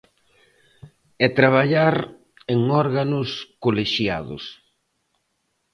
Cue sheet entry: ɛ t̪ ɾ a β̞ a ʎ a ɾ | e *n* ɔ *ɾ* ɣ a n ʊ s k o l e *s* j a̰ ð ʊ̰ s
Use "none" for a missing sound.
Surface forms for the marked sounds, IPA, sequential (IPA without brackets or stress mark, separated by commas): ŋ, ɾ, ʃ